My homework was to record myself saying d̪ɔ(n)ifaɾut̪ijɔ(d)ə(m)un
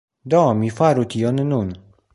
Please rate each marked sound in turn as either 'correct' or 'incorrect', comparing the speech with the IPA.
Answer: incorrect: m, incorrect: n, incorrect: n

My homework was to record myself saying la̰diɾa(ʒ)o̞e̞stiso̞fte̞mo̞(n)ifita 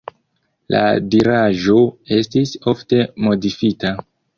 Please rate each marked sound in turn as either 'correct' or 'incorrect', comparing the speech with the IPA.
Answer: correct, incorrect: d

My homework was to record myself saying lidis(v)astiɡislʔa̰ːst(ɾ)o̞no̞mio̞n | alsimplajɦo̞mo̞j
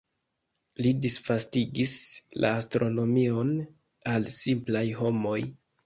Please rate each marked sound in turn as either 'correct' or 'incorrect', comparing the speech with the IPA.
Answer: incorrect: f, correct

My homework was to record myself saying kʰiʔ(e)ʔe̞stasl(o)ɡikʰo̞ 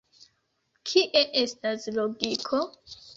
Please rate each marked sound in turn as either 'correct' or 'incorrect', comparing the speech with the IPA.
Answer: correct, correct

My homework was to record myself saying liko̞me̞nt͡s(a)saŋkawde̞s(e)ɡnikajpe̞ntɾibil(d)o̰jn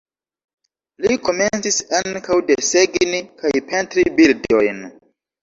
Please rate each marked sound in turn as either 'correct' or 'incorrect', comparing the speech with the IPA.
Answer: incorrect: i, correct, correct

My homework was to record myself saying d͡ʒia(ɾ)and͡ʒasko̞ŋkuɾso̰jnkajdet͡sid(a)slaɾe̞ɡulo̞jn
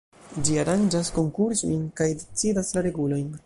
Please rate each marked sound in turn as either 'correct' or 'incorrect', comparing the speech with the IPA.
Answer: correct, correct

